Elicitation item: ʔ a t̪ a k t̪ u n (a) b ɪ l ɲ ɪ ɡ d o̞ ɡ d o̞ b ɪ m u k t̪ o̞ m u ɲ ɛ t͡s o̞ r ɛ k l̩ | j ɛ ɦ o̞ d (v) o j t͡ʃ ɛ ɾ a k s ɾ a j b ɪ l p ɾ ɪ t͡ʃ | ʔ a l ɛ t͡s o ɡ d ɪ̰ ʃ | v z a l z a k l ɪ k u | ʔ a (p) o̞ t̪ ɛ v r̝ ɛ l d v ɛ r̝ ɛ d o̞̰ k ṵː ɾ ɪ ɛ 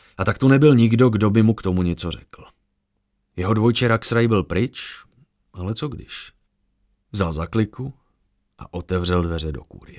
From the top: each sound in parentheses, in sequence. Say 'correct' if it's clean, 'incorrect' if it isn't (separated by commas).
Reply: incorrect, correct, incorrect